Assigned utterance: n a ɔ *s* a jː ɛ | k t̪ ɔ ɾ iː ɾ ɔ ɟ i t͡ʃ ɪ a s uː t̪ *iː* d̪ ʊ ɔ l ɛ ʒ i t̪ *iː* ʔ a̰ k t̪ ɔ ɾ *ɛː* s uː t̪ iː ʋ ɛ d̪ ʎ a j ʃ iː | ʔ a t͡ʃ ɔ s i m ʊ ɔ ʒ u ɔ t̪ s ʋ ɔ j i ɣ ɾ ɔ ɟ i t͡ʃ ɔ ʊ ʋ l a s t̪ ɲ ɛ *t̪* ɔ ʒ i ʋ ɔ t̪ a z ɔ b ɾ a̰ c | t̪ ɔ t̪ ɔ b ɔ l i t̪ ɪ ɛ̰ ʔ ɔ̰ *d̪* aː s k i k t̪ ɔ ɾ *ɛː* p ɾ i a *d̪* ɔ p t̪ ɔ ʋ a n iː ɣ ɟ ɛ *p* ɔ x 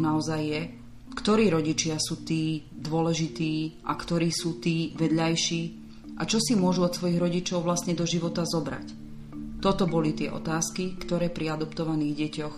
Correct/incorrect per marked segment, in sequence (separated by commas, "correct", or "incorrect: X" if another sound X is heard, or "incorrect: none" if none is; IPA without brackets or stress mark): incorrect: z, correct, correct, incorrect: iː, incorrect: d̪, incorrect: t̪, correct, correct, incorrect: c